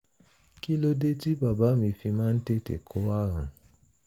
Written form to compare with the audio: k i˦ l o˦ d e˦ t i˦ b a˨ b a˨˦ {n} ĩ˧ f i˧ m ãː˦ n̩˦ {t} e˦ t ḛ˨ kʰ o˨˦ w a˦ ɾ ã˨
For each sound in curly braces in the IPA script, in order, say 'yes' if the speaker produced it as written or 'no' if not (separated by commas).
no, yes